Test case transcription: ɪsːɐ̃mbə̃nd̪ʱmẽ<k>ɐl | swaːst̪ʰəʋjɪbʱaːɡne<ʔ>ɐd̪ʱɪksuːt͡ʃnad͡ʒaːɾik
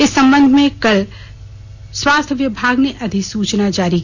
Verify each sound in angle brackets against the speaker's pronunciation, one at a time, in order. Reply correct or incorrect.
correct, correct

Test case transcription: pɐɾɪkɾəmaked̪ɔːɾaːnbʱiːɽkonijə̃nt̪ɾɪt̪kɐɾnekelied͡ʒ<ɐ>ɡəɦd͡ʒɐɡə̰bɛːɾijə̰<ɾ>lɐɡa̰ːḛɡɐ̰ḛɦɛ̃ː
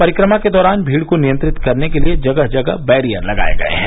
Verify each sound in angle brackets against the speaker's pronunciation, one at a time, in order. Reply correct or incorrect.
correct, correct

